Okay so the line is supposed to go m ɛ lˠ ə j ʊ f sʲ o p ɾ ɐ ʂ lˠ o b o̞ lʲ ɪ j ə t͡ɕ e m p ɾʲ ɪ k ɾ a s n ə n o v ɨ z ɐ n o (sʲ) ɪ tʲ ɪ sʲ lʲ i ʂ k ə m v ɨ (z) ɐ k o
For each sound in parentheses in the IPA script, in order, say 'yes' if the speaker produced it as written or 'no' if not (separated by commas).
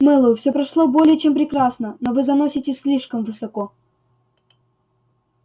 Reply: yes, no